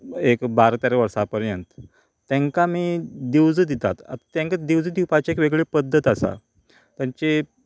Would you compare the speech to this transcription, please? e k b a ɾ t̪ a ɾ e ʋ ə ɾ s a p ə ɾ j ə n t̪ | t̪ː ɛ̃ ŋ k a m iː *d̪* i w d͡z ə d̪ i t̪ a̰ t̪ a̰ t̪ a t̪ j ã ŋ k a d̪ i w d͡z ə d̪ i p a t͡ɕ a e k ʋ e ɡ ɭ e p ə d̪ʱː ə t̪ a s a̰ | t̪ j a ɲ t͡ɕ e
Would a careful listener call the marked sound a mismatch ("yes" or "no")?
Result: no